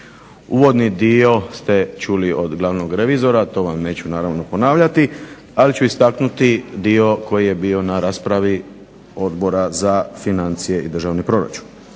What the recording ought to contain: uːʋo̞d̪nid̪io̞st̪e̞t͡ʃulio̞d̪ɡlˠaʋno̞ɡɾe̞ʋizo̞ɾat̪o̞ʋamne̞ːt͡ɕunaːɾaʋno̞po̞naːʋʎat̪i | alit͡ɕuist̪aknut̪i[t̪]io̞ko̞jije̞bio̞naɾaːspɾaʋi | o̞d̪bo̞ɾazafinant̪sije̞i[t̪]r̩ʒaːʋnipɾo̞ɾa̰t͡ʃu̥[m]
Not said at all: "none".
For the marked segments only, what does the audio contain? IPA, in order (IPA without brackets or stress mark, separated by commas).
d̪, d̪, n